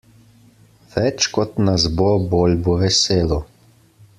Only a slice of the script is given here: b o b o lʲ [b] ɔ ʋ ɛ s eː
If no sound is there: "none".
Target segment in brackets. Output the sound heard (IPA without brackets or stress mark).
b